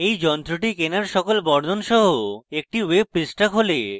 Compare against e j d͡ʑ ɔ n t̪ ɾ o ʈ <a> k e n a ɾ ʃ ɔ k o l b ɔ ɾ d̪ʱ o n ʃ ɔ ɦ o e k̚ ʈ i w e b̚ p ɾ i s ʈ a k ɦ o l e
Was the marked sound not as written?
yes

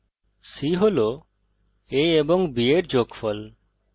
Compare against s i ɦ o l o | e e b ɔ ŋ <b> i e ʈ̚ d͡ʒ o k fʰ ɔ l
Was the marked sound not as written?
no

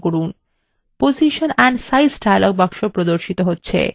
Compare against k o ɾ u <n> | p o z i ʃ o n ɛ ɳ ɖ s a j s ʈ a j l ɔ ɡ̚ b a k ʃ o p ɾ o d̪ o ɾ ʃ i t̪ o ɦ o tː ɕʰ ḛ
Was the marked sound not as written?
no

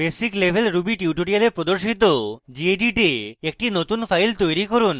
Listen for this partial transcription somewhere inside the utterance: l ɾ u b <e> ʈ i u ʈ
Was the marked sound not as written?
yes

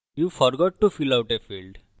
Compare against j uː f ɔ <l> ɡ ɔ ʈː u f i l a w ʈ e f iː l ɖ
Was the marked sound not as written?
yes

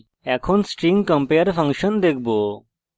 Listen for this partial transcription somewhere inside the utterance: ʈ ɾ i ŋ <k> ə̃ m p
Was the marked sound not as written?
no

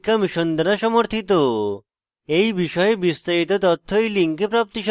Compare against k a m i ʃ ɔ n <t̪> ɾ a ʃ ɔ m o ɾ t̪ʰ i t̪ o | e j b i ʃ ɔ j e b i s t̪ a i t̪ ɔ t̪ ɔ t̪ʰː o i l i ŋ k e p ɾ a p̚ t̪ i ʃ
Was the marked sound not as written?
yes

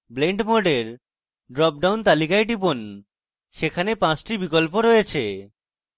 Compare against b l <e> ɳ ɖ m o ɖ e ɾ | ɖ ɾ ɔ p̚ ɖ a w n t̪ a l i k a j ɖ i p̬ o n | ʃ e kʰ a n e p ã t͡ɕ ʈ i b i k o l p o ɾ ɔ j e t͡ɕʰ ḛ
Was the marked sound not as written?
no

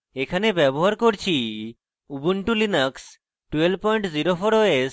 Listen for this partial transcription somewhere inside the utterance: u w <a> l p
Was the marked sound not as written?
yes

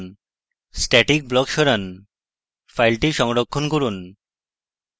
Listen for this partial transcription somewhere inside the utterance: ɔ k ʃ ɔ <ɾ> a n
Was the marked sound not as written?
no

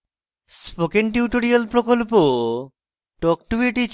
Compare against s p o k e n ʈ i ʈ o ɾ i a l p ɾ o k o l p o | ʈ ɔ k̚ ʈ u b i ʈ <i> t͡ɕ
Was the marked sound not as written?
no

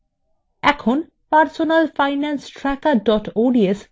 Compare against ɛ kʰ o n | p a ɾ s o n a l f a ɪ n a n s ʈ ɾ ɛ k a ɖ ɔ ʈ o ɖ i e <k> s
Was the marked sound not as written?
yes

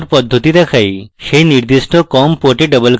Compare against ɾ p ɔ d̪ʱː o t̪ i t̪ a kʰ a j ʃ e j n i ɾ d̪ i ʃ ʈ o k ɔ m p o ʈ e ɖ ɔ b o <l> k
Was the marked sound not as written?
no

